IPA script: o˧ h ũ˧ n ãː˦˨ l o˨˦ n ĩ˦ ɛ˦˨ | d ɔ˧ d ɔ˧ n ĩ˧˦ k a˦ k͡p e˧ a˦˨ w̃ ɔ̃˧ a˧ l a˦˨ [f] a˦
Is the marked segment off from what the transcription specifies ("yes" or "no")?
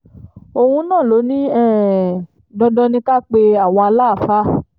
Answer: no